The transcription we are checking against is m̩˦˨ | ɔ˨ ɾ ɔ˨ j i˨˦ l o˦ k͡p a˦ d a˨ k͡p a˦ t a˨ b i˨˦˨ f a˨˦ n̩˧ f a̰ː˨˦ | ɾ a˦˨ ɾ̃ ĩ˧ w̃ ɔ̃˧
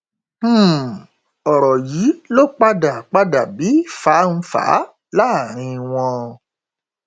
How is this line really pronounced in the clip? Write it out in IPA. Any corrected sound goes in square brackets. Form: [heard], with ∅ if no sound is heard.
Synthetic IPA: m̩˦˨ | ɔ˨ ɾ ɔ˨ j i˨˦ l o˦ k͡p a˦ d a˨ k͡p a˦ [d] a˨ b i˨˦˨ f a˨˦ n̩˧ f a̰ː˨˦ | [l] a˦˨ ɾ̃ ĩ˧ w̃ ɔ̃˧